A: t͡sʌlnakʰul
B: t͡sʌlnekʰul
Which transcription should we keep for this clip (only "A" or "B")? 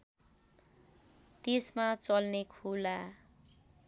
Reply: B